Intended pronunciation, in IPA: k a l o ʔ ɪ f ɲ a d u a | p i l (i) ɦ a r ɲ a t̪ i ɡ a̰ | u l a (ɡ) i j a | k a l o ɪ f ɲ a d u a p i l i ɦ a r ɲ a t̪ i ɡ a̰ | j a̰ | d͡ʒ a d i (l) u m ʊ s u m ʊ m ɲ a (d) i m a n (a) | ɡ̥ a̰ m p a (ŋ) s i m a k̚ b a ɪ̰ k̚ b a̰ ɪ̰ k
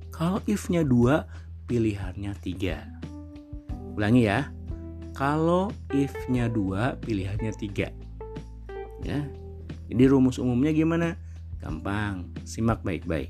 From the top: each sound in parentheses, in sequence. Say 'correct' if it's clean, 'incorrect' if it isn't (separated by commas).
correct, incorrect, incorrect, incorrect, correct, correct